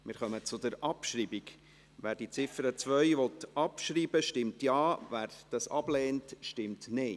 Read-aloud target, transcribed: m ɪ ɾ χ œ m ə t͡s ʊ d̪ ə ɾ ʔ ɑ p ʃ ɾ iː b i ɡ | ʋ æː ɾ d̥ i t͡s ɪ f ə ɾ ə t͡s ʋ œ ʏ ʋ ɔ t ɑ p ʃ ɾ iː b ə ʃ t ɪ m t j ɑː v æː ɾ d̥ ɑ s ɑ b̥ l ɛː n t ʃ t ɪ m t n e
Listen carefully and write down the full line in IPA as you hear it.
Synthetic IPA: m ɪ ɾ χ œ m ə t͡s ʊ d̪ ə ɾ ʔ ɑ p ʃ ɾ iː b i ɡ | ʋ æː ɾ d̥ i t͡s ɪ f ə ɾ ə t͡s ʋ œ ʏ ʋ ɔ t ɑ p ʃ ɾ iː b ə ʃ t ɪ m t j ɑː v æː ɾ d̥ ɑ s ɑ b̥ l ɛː n t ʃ t ɪ m t n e